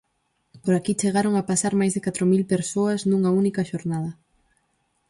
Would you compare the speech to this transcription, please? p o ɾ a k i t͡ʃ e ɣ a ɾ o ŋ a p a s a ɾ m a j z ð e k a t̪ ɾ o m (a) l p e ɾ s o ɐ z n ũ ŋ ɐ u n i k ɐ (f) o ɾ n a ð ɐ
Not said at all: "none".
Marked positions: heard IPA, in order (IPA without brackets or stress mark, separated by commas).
i, ʃ